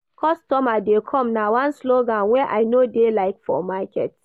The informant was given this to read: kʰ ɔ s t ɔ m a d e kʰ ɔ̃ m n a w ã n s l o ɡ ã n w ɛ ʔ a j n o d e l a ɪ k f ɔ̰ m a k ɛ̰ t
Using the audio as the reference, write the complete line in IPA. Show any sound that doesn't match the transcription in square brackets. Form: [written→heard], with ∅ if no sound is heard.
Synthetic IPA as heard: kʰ ɔ s t ɔ m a d e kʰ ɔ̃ m n a w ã n s l o ɡ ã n w ɛ ʔ a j n o d e l a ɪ k f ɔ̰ m a k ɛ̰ t